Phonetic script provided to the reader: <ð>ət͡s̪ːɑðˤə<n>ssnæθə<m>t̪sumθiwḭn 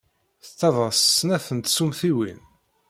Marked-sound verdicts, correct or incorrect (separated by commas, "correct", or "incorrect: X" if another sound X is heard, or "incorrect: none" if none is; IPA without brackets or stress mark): incorrect: θ, incorrect: none, incorrect: n